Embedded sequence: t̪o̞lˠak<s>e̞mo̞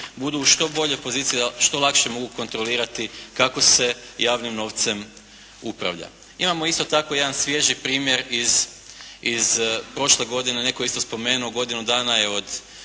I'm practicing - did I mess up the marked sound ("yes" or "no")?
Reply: yes